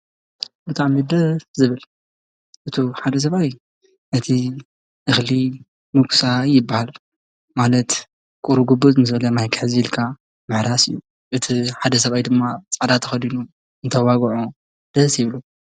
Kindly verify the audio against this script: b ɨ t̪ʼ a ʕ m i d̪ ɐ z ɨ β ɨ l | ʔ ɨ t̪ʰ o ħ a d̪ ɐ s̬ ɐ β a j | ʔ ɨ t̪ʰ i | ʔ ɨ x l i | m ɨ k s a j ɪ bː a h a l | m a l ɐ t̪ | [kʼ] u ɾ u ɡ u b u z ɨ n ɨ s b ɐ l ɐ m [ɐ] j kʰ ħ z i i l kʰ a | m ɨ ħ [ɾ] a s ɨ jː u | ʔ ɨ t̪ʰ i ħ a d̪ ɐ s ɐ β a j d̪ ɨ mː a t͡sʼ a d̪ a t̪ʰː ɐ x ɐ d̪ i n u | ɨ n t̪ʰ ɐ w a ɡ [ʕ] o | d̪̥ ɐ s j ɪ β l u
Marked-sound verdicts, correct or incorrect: correct, incorrect, correct, correct

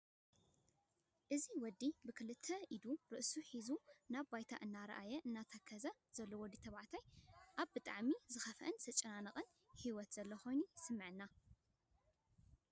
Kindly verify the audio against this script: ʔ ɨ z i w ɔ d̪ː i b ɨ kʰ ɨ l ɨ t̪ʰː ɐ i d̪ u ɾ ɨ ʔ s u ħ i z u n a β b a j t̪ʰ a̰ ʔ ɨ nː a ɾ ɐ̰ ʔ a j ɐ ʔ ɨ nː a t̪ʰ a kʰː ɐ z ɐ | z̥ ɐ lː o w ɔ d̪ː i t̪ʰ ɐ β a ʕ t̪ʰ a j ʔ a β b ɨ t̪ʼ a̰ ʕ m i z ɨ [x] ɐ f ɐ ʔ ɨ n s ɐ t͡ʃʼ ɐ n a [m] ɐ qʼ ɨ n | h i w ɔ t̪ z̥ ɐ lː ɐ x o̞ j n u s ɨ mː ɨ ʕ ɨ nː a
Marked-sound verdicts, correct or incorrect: correct, incorrect

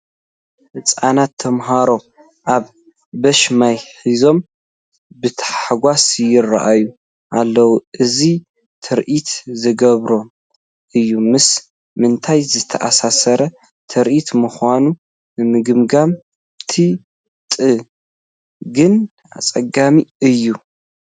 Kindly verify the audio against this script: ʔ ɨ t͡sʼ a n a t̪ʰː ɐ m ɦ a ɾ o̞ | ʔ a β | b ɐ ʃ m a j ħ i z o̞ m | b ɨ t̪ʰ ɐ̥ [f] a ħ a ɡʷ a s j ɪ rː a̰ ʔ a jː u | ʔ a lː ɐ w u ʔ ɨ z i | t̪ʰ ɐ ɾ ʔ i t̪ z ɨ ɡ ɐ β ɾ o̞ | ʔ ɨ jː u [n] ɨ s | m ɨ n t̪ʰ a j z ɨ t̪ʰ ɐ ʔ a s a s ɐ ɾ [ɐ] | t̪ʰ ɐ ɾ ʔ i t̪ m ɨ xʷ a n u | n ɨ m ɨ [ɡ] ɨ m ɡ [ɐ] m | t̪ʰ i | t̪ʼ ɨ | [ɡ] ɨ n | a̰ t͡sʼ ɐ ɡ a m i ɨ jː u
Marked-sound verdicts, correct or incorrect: incorrect, incorrect, correct, correct, incorrect, correct

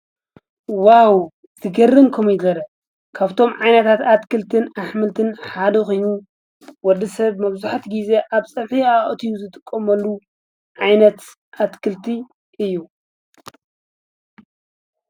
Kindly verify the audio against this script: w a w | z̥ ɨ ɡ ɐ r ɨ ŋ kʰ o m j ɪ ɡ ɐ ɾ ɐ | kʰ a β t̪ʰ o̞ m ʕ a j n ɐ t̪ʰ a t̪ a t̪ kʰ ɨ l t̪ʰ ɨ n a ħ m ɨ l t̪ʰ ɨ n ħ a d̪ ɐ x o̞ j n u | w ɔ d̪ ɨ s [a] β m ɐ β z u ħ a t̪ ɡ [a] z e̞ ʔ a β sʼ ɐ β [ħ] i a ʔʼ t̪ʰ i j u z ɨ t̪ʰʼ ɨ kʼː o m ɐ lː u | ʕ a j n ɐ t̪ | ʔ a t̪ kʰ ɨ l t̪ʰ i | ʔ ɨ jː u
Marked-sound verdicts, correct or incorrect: incorrect, incorrect, correct

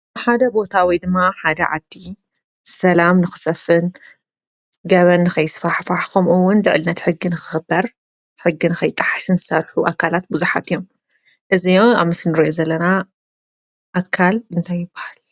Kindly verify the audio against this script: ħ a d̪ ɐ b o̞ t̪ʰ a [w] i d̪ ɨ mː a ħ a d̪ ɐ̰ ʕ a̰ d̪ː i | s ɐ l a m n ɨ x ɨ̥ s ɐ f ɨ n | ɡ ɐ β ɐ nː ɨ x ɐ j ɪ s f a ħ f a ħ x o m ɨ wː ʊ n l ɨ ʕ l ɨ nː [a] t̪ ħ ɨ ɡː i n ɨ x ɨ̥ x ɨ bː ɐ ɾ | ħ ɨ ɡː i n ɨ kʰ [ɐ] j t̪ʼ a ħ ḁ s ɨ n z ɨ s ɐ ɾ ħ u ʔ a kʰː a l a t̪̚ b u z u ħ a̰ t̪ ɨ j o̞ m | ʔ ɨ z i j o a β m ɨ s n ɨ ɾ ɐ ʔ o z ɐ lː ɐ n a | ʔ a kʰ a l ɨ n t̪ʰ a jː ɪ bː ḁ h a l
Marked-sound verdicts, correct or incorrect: correct, incorrect, correct

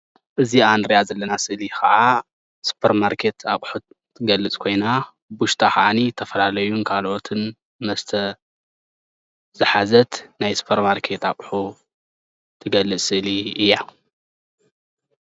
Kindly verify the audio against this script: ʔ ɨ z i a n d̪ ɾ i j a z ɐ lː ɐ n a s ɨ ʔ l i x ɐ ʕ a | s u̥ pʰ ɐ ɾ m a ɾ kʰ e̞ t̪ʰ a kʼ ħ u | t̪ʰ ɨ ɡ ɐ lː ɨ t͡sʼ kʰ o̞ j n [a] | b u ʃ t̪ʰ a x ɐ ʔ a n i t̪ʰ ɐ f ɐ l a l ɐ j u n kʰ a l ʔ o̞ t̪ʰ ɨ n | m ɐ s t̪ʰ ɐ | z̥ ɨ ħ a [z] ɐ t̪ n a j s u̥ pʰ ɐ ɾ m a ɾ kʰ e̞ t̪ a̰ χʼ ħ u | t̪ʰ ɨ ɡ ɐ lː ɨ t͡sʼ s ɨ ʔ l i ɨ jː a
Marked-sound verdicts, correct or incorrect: correct, correct

